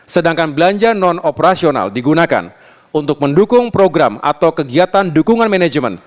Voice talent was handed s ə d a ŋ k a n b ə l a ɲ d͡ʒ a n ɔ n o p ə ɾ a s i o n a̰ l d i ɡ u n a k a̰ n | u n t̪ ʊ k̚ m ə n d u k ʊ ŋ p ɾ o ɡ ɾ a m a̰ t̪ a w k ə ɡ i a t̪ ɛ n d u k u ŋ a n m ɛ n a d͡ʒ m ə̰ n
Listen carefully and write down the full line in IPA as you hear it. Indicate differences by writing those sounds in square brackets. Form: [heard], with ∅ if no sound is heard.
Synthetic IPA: s ə d a ŋ k a n b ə l a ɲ d͡ʒ a n ɔ n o p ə ɾ a s i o n a̰ l d i ɡ u n a k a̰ n | u n t̪ ʊ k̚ m ə n d u k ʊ ŋ p ɾ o ɡ ɾ a m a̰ t̪ a w k ə ɡ i a t̪ [a] n d u k u ŋ a n m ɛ n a d͡ʒ m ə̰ n